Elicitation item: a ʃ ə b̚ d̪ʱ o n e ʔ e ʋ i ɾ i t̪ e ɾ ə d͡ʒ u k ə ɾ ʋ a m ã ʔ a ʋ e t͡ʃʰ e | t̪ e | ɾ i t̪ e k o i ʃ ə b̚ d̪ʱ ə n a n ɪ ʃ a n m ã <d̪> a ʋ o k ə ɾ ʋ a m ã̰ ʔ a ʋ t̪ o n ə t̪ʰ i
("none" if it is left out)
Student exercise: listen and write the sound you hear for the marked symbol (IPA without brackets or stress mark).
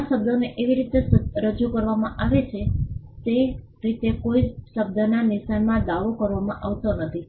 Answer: d̪